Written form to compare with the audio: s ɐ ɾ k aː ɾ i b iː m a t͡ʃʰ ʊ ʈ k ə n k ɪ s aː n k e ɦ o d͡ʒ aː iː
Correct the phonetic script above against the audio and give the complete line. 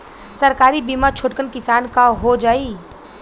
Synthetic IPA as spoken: s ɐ ɾ k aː ɾ i b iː m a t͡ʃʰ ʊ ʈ k ə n k ɪ s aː n k a ɦ o d͡ʒ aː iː